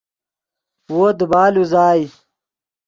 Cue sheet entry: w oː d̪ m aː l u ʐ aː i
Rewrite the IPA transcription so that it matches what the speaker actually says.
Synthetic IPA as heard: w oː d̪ b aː l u z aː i